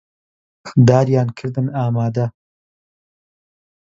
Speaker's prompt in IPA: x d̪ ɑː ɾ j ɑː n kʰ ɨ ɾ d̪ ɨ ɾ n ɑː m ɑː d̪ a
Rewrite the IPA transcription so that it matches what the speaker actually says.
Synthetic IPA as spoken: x d̪ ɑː ɾ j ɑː n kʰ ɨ ɾ d̪ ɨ n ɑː m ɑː d̪ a